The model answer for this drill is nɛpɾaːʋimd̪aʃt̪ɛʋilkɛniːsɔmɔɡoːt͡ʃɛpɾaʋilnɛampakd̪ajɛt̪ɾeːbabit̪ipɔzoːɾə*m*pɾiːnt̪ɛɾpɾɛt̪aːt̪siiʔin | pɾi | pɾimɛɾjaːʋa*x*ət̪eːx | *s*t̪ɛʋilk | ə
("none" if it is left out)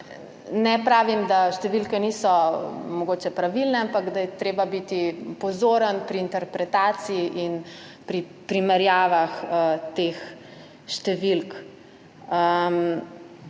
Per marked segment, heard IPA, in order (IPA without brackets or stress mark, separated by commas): n, x, ʃ